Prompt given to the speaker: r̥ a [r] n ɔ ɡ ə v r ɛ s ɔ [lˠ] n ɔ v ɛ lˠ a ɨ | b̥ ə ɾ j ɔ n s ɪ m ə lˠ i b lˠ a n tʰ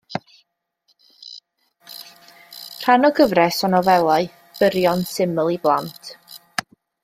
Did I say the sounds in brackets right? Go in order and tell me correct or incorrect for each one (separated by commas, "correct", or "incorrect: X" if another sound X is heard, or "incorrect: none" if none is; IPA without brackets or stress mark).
incorrect: none, incorrect: none